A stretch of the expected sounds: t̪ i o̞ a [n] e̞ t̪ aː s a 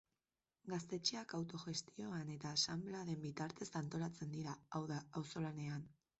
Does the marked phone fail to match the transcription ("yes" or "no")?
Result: no